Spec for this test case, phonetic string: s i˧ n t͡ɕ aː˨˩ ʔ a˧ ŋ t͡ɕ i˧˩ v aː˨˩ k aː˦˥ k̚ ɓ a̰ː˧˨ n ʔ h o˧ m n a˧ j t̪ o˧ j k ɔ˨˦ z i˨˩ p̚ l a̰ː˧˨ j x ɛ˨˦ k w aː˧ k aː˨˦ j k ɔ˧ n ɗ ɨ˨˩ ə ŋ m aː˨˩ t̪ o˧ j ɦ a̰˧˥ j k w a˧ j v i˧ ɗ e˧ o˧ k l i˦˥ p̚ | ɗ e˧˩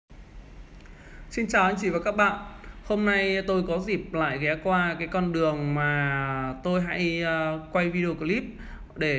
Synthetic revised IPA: s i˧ n t͡ɕ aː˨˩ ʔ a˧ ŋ t͡ɕ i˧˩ v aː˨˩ k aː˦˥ k̚ ɓ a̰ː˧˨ n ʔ h o˧ m n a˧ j t̪ o˧ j k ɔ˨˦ z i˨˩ p̚ l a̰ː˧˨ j ɣ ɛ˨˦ k w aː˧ k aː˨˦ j k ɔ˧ n ɗ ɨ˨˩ ə ŋ m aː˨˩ t̪ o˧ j ɦ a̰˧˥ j k w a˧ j v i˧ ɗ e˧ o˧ k l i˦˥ p̚ | ɗ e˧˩